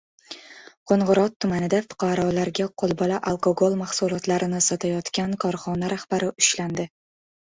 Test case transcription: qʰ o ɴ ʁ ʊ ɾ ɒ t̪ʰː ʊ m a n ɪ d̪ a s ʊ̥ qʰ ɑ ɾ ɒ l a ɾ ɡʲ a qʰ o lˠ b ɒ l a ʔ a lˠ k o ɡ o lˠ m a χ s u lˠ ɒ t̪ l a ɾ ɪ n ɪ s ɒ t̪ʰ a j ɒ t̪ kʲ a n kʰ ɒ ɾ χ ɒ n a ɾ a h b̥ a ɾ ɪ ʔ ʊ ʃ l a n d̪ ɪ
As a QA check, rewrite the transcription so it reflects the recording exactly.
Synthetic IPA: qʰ o ɴ ʁ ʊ ɾ ɒ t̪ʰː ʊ m a n ɪ d̪ a f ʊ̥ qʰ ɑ ɾ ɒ l a ɾ ɡʲ a qʰ o lˠ b ɒ l a ʔ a lˠ k o ɡ o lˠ m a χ s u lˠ ɒ t̪ l a ɾ ɪ n ɪ s ɒ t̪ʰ a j ɒ t̪ kʲ a n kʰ ɒ ɾ χ ɒ n a ɾ a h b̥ a ɾ ɪ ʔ ʊ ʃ l a n d̪ ɪ